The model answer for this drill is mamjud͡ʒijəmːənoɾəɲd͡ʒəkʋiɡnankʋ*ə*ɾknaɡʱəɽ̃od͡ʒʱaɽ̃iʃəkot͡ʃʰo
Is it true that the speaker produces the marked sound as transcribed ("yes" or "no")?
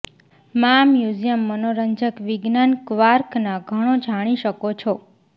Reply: no